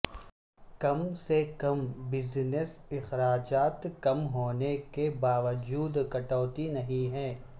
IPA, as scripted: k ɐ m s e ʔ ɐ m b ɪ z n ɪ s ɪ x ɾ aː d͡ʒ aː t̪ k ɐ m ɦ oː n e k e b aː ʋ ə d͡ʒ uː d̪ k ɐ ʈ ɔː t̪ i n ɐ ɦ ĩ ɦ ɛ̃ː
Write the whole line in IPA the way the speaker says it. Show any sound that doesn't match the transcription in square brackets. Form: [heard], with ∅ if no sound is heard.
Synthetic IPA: k ɐ m s e [k] ɐ m b ɪ z n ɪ s ɪ x ɾ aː d͡ʒ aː t̪ k ɐ m ɦ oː n e k e b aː ʋ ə d͡ʒ uː d̪ k ɐ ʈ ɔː t̪ i n ɐ ɦ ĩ ɦ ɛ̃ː